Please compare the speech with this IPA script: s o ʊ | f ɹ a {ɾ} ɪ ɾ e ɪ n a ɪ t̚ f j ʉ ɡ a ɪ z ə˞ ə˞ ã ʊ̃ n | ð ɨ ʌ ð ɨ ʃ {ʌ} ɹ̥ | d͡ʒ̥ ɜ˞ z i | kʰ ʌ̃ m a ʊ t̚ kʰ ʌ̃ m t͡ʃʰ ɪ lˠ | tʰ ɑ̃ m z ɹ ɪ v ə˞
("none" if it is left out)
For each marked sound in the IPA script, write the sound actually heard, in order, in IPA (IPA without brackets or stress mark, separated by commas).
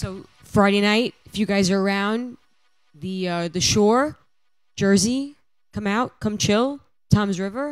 none, ɔ